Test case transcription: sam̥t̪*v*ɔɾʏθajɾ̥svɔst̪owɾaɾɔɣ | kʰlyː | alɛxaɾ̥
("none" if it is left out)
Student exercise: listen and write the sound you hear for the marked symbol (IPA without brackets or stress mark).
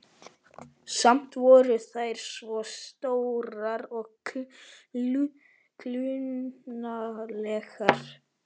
v